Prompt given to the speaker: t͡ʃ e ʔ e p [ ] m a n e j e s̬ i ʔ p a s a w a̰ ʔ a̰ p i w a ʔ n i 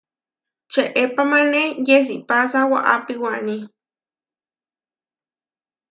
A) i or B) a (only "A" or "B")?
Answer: B